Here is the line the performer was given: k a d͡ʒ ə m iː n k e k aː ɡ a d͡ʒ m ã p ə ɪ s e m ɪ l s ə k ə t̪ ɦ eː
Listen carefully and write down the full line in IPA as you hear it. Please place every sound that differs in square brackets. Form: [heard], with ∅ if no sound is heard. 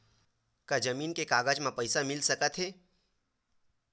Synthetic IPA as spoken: k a d͡ʒ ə m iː n k e k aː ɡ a d͡ʒ m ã p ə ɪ s [a] m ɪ l s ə k ə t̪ ɦ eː